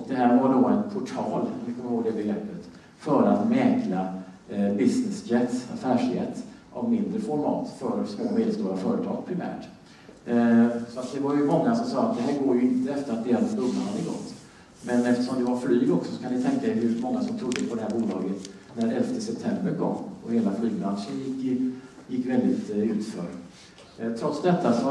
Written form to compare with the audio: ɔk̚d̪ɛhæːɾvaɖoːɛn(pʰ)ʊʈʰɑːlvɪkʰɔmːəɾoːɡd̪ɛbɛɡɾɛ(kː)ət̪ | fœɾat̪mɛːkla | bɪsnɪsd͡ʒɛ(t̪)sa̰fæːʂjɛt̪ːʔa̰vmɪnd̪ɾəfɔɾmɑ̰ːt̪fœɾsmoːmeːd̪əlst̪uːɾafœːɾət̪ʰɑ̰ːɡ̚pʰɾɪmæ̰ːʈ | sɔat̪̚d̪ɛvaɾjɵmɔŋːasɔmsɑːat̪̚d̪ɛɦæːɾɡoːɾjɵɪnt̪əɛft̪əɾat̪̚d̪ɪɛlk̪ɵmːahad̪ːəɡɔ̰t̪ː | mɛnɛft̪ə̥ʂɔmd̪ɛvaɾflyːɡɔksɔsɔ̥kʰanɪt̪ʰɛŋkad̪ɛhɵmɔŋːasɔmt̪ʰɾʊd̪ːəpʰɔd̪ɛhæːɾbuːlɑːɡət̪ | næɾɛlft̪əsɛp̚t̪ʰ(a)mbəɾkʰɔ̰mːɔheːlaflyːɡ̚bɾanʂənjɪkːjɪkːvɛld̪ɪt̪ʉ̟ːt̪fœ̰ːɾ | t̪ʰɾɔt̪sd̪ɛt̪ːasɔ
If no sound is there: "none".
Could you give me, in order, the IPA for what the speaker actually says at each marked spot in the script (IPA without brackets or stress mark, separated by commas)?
pʰ, pː, t̪, ɛ